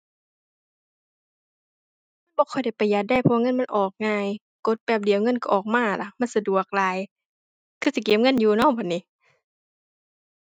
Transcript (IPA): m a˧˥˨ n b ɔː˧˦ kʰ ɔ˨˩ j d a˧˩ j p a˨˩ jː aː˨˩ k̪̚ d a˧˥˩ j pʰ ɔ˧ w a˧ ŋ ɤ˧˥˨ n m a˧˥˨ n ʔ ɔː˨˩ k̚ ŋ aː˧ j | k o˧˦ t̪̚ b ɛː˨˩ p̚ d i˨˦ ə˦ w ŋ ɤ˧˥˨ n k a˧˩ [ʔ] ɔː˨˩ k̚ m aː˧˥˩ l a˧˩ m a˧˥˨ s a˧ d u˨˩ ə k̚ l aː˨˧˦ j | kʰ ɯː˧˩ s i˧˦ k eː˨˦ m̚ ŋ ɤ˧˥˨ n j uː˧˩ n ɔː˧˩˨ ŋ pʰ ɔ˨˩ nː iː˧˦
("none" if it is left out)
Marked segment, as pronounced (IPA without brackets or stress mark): ʔ